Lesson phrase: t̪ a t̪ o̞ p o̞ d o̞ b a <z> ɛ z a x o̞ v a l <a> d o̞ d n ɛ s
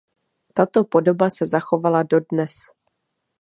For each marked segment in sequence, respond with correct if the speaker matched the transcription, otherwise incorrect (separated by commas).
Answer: incorrect, correct